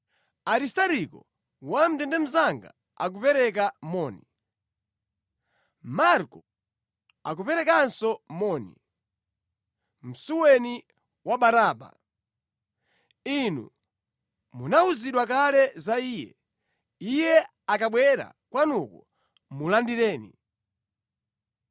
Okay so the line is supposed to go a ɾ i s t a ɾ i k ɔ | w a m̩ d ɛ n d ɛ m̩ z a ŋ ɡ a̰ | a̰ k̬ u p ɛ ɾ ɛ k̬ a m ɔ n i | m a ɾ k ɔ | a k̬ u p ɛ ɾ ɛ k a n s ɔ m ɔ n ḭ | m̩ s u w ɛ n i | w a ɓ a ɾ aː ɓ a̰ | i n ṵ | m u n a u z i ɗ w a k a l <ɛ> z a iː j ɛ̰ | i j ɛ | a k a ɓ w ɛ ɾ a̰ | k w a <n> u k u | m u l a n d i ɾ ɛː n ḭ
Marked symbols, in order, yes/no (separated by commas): yes, yes